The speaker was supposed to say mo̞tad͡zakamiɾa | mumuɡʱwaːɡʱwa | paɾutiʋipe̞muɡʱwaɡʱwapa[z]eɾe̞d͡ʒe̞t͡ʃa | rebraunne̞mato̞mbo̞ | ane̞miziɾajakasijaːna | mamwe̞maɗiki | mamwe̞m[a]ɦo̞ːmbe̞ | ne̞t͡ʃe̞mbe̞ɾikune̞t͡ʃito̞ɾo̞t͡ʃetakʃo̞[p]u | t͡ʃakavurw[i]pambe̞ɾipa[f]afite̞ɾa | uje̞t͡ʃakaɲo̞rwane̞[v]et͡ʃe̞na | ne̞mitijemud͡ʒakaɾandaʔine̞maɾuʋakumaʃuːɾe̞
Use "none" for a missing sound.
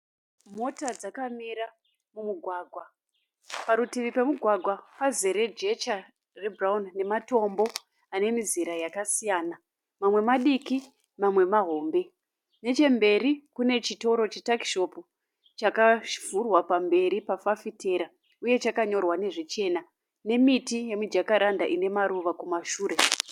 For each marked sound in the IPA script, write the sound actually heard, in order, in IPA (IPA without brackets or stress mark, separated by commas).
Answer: z, a, p, a, f, ʐ